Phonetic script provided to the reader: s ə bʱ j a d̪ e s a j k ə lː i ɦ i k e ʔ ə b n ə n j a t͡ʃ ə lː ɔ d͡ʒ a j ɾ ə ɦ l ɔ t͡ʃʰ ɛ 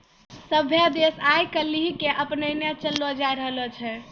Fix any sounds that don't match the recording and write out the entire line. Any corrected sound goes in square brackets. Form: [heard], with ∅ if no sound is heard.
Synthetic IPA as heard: s ə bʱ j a d̪ e s a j k ə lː i ɦ i k e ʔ ə [p] n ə n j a t͡ʃ ə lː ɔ d͡ʒ a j ɾ ə ɦ l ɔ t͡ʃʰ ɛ